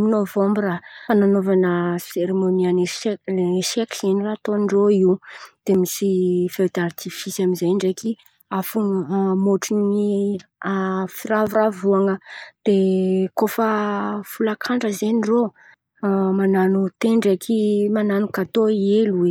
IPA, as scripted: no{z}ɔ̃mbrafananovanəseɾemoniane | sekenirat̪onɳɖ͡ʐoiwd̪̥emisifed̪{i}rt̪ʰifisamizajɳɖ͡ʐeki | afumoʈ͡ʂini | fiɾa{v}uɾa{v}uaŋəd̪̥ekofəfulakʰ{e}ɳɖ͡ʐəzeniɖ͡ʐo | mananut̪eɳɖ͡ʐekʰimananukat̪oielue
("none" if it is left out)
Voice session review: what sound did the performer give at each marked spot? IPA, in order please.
v, a, v, v, a

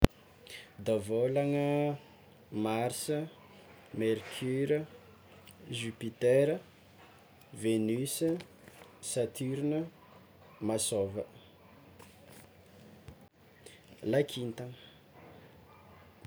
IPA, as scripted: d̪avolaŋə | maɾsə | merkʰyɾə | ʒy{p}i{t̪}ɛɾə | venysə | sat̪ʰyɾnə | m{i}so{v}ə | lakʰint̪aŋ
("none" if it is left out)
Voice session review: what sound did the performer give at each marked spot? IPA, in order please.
p, t̪, a, v

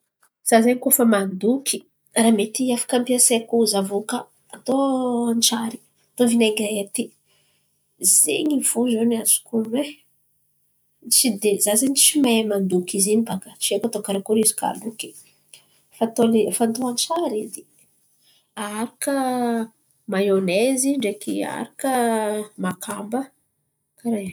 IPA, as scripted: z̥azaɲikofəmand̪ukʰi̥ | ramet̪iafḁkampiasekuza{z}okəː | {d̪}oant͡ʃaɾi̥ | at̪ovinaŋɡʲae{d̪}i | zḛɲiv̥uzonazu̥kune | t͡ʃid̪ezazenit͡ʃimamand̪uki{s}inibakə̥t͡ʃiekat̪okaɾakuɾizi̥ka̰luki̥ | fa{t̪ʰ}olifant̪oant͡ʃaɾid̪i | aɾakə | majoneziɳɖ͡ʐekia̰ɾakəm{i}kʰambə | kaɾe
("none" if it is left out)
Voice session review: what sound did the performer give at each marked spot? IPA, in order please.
v, t̪, t̪, z, t̪, a

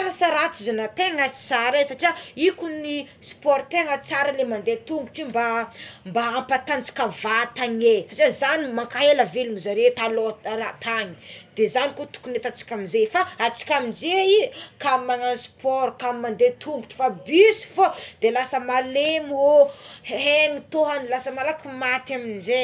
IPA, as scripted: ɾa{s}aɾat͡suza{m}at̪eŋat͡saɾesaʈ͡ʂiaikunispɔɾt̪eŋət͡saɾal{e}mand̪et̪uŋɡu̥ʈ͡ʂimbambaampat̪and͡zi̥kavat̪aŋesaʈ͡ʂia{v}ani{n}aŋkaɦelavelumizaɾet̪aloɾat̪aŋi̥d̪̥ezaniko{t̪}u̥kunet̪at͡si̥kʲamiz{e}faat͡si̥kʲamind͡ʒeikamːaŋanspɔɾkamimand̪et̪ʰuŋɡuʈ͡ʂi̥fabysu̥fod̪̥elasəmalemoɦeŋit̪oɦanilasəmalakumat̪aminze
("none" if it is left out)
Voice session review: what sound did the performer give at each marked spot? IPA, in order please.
s, n, e, z, m, t̪, e

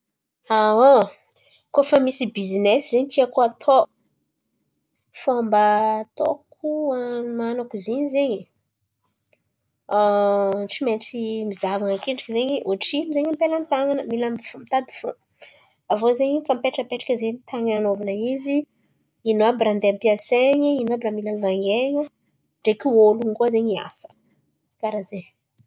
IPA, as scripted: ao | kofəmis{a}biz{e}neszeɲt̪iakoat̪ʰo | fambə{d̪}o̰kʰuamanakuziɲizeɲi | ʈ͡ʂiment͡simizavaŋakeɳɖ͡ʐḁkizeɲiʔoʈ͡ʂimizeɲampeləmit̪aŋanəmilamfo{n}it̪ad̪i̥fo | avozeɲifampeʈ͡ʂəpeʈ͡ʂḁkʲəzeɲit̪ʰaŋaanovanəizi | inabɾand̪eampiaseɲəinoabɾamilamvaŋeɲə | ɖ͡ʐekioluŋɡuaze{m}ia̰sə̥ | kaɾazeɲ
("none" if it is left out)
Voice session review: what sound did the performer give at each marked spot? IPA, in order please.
i, i, t̪, m, ɲ

